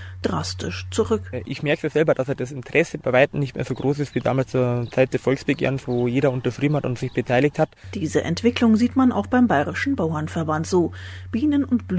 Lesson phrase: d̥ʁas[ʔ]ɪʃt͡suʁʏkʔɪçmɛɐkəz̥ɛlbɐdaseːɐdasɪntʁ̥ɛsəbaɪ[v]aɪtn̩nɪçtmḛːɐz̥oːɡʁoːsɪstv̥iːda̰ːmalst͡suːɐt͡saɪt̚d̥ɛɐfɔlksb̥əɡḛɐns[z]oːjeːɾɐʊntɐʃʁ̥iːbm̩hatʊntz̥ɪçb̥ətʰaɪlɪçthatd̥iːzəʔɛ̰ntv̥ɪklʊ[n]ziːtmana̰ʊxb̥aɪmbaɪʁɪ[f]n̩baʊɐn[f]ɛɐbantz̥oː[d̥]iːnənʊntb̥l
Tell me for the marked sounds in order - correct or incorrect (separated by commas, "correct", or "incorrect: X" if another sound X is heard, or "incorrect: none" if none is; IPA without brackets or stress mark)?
incorrect: t, correct, incorrect: v, incorrect: ŋ, incorrect: ʃ, correct, incorrect: b̥